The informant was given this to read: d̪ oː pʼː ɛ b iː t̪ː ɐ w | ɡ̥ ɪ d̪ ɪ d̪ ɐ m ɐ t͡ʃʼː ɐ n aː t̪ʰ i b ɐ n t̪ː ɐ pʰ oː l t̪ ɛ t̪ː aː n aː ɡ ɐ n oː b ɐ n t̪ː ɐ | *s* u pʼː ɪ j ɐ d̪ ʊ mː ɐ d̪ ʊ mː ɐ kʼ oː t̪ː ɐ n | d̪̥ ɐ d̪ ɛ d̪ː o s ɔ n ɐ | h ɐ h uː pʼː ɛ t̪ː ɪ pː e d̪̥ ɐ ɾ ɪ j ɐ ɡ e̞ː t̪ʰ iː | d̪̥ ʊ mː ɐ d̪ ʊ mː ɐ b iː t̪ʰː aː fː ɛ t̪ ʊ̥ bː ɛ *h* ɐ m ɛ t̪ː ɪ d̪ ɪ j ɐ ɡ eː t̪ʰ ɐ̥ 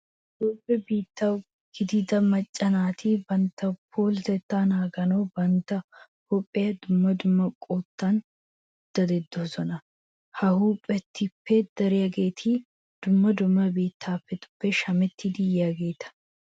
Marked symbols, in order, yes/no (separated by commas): no, no